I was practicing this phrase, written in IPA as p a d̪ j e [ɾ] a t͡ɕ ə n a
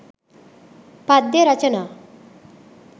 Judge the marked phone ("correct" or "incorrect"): correct